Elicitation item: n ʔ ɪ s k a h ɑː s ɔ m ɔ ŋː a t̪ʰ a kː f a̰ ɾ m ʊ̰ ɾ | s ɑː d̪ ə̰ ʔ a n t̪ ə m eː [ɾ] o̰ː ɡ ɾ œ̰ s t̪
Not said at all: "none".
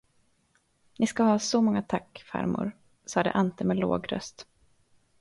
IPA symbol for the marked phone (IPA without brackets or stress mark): l